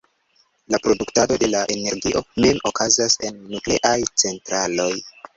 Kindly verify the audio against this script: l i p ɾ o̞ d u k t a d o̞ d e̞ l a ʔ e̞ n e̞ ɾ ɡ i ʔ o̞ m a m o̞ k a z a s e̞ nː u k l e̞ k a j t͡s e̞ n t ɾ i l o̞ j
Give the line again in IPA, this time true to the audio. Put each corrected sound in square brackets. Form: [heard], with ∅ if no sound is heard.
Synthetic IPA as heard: l [a] p ɾ o̞ d u k t a d o̞ d e̞ l a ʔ e̞ n e̞ ɾ ɡ i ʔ o̞ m [e] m o̞ k a z a s e̞ nː u k l e̞ [ʔ] a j t͡s e̞ n t ɾ [a] l o̞ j